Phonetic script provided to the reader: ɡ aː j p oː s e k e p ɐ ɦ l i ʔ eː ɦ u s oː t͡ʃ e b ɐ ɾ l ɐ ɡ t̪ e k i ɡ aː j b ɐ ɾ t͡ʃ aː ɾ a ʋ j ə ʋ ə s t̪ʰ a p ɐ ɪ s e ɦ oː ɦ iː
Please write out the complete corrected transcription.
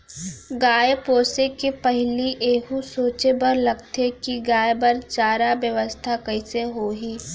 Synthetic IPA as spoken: ɡ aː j p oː s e k e p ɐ ɦ l i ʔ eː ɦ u s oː t͡ʃ e b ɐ ɾ l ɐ ɡ t̪ e k i ɡ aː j b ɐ ɾ t͡ʃ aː ɾ a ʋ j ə ʋ ə s t̪ʰ a k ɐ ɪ s e ɦ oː ɦ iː

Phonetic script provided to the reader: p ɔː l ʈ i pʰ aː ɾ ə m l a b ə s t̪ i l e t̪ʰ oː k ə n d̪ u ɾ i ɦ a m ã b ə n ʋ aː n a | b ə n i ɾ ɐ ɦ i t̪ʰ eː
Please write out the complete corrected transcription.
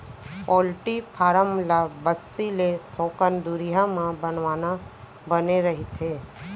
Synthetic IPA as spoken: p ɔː l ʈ i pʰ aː ɾ ə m l a b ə s t̪ i l e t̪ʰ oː k ə n d̪ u ɾ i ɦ a m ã b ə n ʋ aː n a | b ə n e ɾ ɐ ɦ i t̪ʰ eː

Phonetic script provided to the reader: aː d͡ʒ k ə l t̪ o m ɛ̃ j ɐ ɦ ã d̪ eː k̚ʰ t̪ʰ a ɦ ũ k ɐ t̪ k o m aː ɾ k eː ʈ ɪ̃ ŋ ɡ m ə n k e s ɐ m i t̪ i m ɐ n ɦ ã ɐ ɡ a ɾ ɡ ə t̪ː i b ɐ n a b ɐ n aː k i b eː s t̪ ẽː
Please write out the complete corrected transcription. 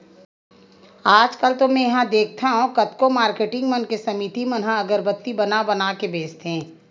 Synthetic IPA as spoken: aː d͡ʒ k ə l t̪ o m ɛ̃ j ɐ ɦ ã d̪ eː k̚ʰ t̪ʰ a ɦ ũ k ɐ t̪ k o m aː ɾ k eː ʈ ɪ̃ ŋ ɡ m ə n k e s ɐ m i t̪ i m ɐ n ɦ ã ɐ ɡ ə ɾ b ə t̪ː i b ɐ n a b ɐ n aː k e b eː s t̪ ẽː

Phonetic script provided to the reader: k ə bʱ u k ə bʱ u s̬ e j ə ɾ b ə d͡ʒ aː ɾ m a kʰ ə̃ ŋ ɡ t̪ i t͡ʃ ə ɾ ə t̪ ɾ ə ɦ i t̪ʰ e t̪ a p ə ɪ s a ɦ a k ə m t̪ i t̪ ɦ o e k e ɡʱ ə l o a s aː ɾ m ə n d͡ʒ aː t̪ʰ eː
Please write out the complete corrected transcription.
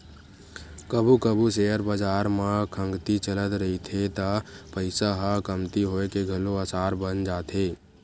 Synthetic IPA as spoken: k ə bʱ u k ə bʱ u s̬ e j ə ɾ b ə d͡ʒ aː ɾ m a kʰ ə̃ ŋ ɡ t̪ i t͡ʃ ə l ə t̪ ɾ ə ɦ i t̪ʰ e t̪ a p ə ɪ s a ɦ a k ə m t̪ i ɦ o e k e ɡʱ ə l o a s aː ɾ b ə n d͡ʒ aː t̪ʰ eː

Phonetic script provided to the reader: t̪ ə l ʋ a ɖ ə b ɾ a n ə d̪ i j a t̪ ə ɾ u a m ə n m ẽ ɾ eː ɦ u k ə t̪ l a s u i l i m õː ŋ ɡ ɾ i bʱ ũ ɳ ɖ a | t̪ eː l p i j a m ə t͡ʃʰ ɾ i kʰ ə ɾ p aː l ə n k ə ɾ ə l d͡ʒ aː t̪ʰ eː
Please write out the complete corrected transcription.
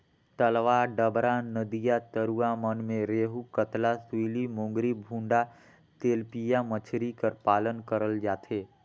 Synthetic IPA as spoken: t̪ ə l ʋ a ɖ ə b ɾ a n ə d̪ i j a t̪ ə ɾ u a m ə n m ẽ ɾ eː ɦ u k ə t̪ l a s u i l i m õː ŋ ɡ ɾ i bʱ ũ ɳ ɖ a | t̪ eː l p i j a m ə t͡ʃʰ ɾ i k ə ɾ p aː l ə n k ə ɾ ə l d͡ʒ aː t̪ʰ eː

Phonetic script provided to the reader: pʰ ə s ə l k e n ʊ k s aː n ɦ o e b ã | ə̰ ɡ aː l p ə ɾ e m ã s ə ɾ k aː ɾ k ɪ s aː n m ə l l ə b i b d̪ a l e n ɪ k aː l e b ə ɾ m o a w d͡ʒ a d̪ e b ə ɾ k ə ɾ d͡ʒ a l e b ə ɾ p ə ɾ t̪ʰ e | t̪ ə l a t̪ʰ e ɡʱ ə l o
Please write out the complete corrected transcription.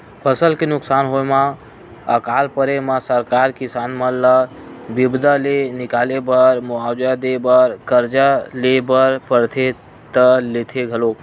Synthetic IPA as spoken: pʰ ə s ə l k e n ʊ k s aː n ɦ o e m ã | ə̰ k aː l p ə ɾ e m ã s ə ɾ k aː ɾ k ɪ s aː n m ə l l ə b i b d̪ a l e n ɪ k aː l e b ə ɾ m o a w d͡ʒ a d̪ e b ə ɾ k ə ɾ d͡ʒ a l e b ə ɾ p ə ɾ t̪ʰ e | t̪ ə l e t̪ʰ e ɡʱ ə l o

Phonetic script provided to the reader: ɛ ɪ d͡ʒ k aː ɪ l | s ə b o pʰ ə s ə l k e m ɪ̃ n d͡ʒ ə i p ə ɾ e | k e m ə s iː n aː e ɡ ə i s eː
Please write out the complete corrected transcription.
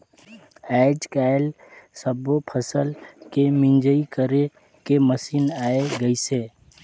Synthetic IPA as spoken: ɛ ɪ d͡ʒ k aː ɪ l | s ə b o pʰ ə s ə l k e m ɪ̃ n d͡ʒ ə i k ə ɾ e | k e m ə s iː n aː e ɡ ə i s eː

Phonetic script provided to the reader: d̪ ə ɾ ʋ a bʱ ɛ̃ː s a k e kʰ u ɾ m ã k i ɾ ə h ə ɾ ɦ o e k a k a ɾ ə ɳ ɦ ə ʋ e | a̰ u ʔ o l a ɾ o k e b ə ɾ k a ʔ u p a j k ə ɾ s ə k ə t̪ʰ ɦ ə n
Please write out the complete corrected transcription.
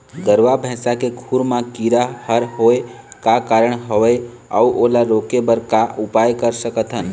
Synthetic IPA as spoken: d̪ ə ɾ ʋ a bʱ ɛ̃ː s a k e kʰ u ɾ m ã k i ɾ a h ə ɾ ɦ o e k a k a ɾ ə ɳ ɦ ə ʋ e | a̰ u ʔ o l a ɾ o k e b ə ɾ k a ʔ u p a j k ə ɾ s ə k ə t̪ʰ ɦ ə n

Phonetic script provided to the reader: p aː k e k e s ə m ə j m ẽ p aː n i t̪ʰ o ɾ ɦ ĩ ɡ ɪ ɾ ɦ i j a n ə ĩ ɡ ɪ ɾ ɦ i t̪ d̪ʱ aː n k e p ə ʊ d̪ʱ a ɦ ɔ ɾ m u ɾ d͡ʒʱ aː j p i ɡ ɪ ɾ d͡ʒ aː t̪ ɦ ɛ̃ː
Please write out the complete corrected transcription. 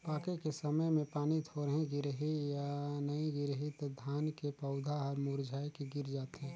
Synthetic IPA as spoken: p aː k e k e s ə m ə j m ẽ p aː n i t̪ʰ o ɾ ɦ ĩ ɡ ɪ ɾ ɦ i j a n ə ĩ ɡ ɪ ɾ ɦ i t̪ d̪ʱ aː n k e p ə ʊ d̪ʱ a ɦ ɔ ɾ m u ɾ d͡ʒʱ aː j k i ɡ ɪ ɾ d͡ʒ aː t̪ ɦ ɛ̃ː

